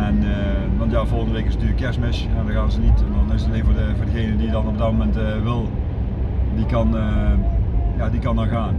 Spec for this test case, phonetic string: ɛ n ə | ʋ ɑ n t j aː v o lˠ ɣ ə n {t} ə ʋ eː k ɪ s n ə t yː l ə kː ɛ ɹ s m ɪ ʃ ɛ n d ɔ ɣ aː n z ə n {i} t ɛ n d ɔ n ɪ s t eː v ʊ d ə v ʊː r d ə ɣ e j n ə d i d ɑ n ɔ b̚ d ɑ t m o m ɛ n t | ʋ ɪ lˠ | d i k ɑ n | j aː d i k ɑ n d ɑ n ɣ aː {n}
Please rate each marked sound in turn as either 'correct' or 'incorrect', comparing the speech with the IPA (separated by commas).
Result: incorrect, correct, correct